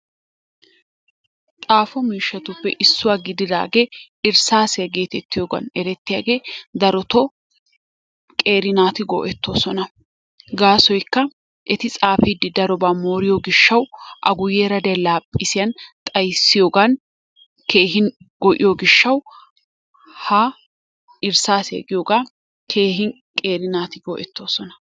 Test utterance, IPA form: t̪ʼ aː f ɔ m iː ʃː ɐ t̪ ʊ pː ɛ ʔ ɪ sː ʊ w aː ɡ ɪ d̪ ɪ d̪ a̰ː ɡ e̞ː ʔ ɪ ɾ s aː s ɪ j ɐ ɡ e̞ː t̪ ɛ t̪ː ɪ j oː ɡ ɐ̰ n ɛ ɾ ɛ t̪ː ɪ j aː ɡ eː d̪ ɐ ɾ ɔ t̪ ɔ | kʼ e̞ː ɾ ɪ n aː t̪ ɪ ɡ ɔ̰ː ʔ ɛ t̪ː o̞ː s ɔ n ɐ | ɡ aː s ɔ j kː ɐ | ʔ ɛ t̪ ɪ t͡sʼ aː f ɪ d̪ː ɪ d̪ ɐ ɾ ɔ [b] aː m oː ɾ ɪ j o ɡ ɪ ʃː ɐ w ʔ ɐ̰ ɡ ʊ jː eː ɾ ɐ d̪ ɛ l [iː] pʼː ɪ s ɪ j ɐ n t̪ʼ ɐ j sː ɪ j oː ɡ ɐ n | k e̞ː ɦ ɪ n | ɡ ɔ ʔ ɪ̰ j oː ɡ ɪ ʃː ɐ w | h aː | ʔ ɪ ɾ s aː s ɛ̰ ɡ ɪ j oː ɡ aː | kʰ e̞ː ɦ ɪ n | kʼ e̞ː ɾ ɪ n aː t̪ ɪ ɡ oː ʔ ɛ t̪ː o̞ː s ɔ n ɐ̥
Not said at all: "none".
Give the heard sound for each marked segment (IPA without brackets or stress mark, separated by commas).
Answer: b, aː